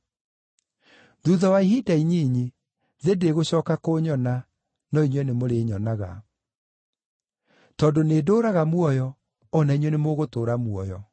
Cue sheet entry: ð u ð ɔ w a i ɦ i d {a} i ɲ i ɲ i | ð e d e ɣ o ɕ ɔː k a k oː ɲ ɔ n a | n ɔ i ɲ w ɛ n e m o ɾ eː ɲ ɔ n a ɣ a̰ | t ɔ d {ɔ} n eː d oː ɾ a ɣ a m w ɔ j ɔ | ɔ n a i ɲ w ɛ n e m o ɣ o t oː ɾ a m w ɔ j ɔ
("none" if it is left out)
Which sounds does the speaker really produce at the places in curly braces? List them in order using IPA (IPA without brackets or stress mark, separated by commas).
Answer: a, o